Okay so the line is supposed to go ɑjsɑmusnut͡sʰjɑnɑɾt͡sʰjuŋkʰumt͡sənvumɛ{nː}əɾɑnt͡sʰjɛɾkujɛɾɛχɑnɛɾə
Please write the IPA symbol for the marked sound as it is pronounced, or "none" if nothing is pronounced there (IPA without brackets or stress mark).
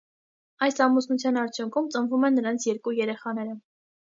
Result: nː